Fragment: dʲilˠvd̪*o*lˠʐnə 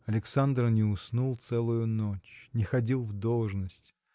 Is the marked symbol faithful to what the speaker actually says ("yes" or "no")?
yes